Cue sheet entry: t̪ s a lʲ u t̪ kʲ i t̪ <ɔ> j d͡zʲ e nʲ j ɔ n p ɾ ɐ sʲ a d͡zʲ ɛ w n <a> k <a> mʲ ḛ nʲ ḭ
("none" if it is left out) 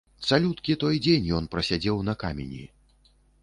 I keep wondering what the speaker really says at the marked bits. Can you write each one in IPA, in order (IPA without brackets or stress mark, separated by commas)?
ɔ, ɐ, a